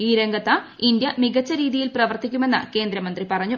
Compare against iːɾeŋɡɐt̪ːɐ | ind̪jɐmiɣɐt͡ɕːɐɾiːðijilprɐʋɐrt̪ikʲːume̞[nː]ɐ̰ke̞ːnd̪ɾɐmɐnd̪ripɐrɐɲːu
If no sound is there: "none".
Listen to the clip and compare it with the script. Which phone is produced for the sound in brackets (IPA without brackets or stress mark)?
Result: nː